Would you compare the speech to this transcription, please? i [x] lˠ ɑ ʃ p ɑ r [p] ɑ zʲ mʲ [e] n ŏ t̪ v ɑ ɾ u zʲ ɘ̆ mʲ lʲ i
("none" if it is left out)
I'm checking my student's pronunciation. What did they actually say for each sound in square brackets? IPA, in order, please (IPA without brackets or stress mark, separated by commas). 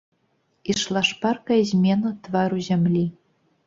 ʃ, k, e